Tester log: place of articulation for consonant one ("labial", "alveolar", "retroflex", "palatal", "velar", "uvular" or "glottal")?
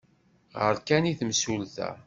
uvular